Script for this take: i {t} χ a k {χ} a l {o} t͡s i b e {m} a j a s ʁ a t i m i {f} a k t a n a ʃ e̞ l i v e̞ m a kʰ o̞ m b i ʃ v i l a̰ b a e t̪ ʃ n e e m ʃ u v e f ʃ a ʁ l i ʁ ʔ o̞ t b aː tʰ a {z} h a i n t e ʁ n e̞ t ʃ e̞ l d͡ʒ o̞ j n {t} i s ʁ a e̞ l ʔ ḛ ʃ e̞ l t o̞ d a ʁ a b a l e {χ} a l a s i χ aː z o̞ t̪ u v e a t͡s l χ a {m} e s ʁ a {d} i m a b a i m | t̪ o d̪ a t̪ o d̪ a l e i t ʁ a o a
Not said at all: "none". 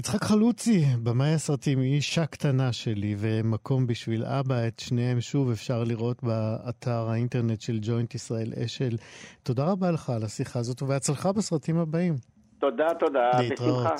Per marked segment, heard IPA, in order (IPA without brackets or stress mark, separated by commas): t͡s, χ, u, m, ʃ, ʁ, t, χ, b, t